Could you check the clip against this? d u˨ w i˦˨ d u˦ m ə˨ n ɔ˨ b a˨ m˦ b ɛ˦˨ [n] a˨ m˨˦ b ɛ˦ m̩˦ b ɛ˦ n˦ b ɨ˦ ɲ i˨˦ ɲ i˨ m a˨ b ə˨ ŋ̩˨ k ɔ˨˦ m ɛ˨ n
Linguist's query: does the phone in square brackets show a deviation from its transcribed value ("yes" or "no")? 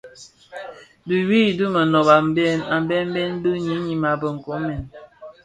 no